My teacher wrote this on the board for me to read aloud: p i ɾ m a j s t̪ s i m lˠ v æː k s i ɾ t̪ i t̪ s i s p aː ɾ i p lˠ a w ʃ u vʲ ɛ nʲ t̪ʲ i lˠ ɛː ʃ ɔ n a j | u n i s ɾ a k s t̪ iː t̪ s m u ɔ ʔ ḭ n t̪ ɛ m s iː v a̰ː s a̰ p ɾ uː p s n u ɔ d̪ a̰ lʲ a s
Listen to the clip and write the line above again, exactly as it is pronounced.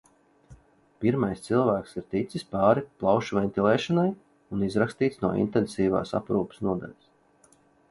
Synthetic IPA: p i ɾ m a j s t̪ s i lˠ v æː k s i ɾ t̪ i t̪ s i s p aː ɾ i p lˠ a w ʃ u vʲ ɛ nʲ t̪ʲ i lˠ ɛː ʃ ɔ n a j | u n i z ɾ a k s t̪ iː t̪ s n u ɔ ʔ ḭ n t̪ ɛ n s iː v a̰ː s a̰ p ɾ uː p s n u ɔ d̪ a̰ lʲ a s